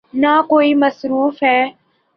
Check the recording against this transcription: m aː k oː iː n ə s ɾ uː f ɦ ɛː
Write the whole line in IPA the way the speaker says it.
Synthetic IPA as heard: n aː k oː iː m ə s ɾ uː f ɦ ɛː